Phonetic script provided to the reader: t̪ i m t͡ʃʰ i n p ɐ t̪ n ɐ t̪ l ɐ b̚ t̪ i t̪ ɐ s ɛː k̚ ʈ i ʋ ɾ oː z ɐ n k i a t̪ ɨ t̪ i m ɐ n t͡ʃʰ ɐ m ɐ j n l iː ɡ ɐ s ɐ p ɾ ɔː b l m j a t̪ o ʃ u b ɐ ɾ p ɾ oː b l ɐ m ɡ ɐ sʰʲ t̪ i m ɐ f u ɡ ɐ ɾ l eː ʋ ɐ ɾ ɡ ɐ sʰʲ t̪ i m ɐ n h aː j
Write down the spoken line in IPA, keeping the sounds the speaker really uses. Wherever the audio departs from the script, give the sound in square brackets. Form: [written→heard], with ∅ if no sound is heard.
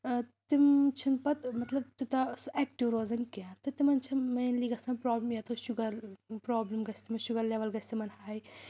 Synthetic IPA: t̪ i m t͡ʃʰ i n p ɐ t̪ [n→m] ɐ t̪ l ɐ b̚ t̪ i t̪ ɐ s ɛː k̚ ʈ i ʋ ɾ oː z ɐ n k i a t̪ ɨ t̪ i m ɐ n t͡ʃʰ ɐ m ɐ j n l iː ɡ ɐ s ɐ p ɾ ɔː b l m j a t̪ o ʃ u [b→ɡ] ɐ ɾ p ɾ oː b l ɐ m ɡ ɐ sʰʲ t̪ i m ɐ [f→ʃ] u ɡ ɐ ɾ l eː ʋ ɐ [ɾ→l] ɡ ɐ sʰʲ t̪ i m ɐ n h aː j